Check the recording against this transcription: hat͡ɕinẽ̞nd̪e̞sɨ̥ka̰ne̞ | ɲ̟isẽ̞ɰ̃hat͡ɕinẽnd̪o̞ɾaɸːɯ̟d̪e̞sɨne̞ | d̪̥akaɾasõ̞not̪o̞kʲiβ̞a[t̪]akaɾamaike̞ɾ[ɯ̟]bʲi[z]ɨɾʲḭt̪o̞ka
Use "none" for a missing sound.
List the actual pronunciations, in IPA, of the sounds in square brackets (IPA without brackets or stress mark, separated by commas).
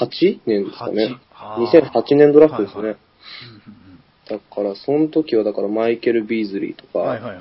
d̪, ɯ̟, z